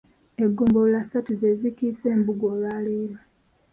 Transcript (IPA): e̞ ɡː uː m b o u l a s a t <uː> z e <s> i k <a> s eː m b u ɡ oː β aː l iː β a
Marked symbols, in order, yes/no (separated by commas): no, no, no